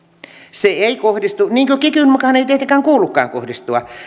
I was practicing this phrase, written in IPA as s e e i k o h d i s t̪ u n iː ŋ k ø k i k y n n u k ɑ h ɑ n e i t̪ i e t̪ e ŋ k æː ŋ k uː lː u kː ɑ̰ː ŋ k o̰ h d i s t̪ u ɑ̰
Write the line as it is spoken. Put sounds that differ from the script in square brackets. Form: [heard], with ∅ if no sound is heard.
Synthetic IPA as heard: s e e i k o h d i s t̪ u n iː ŋ k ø k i k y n [m] u k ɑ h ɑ n e i t̪ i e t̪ e ŋ k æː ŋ k uː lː u kː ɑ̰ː ŋ k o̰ h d i s t̪ u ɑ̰